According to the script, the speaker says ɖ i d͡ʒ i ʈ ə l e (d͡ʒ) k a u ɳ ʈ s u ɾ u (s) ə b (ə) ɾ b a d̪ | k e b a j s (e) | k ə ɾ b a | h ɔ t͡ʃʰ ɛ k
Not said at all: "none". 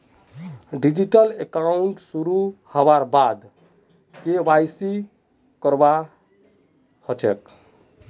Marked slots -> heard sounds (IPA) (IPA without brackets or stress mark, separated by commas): none, h, a, i